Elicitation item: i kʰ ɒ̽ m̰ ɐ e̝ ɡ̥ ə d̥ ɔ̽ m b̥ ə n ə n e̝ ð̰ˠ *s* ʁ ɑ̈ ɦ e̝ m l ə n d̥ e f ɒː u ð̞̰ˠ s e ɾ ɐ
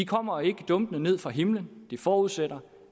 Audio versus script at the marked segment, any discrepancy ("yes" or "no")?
yes